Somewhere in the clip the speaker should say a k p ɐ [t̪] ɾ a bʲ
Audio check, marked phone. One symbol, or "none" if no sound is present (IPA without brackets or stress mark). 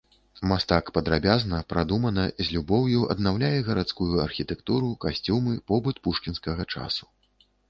d̪